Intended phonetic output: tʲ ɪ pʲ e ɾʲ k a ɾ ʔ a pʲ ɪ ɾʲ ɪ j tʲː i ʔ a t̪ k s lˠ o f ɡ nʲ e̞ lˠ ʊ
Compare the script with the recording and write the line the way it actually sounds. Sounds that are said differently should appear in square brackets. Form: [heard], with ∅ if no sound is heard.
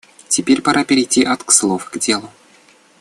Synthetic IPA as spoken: tʲ ɪ pʲ e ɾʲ [p] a ɾ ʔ a pʲ ɪ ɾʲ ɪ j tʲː i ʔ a t̪ k s lˠ o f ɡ [dʲ] e̞ lˠ ʊ